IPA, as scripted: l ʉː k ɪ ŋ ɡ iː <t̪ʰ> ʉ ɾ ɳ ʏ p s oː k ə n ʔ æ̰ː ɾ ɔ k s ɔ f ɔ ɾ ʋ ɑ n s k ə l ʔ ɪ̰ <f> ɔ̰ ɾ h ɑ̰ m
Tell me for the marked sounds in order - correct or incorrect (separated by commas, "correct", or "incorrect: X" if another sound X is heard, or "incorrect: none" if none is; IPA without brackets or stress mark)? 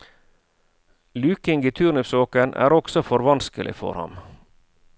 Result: correct, correct